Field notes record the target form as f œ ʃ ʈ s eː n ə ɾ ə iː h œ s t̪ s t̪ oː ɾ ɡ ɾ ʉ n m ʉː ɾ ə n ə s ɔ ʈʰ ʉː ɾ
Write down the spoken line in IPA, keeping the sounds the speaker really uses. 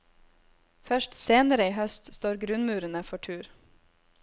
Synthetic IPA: f œ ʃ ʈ s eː n ə ɾ ə iː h œ s t̪ s t̪ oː ɾ ɡ ɾ ʉ n m ʉː ɾ ə n ə f ɔ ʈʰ ʉː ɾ